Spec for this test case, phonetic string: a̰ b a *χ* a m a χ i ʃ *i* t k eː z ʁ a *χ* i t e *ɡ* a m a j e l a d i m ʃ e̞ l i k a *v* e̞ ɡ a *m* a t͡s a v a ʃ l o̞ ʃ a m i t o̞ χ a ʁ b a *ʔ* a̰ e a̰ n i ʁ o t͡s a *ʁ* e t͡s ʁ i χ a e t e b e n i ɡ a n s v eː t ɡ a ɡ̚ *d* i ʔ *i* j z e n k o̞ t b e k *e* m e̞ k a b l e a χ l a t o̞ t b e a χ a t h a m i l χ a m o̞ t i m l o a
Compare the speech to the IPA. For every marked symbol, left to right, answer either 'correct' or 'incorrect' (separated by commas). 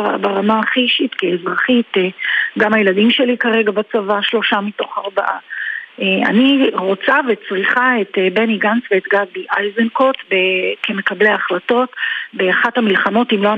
incorrect, correct, correct, correct, incorrect, incorrect, correct, incorrect, incorrect, incorrect, correct